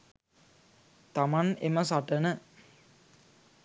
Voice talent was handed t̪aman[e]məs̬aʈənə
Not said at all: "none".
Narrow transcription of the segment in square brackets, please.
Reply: e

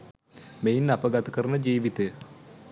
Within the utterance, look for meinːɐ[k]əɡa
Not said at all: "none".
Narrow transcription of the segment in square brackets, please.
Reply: p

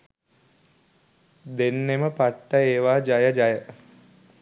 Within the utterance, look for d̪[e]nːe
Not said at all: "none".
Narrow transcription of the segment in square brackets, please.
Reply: e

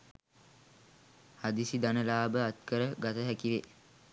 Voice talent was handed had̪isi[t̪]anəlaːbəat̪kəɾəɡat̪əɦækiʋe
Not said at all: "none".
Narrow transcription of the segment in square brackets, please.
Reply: d̪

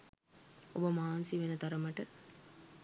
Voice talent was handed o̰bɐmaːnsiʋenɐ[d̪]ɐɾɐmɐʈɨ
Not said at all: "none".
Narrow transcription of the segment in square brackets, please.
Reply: t̪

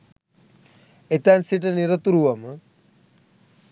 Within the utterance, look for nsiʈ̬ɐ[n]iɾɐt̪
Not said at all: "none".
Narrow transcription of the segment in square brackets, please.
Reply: n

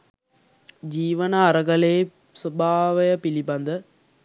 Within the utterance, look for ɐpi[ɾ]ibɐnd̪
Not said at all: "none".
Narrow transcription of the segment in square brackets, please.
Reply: l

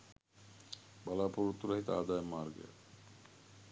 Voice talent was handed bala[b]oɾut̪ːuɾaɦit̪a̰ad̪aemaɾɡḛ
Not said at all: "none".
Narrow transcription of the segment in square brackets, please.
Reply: p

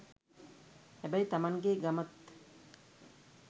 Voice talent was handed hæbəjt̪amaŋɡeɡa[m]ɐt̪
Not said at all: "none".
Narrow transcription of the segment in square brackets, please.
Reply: m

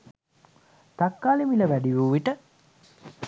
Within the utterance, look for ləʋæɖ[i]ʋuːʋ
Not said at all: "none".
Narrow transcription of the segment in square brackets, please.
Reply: i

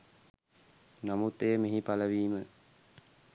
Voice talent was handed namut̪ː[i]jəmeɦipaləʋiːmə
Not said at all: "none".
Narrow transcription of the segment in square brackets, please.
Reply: e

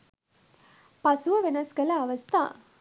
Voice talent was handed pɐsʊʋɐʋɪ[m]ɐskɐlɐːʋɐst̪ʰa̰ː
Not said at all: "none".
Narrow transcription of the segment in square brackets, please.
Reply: n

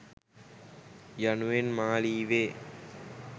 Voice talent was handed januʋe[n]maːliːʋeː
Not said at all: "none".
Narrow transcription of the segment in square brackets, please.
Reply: n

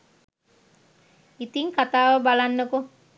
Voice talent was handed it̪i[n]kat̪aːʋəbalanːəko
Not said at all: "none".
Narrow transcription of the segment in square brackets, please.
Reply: ŋ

